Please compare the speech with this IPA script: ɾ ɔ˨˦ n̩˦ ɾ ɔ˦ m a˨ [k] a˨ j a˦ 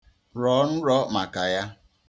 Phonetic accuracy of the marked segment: correct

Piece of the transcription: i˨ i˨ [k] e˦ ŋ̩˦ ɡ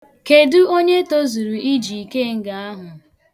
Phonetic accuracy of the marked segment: correct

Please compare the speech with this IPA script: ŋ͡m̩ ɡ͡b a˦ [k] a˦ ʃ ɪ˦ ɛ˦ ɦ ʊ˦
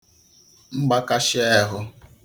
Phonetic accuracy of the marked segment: correct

